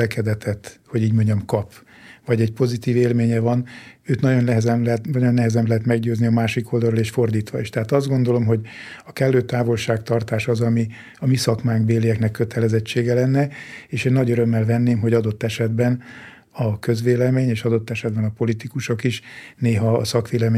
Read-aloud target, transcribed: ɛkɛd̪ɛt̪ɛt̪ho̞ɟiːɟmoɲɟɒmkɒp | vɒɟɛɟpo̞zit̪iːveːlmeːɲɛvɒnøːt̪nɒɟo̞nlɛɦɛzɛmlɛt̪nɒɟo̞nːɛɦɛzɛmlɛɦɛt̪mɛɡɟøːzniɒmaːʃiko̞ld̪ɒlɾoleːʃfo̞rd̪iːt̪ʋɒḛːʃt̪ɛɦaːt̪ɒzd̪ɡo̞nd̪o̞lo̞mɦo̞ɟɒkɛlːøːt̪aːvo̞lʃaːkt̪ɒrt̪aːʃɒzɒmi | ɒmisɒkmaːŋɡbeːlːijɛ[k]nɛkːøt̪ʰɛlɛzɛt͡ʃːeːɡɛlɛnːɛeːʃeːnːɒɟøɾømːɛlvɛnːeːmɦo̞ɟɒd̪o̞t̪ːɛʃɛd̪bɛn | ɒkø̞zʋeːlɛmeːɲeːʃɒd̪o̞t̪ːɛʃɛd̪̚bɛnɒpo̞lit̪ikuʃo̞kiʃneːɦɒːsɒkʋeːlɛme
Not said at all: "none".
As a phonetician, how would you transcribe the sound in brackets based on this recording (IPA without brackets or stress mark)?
k